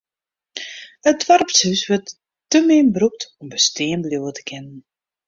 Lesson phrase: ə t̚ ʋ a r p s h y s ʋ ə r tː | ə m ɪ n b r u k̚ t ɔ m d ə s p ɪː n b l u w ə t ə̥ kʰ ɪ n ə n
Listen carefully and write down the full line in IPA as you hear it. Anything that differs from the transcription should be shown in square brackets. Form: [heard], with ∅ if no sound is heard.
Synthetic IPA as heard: ə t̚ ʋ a r p s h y s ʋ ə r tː | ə m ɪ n b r u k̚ t ɔ m [b] ə s [t] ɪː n b l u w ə t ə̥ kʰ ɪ n ə n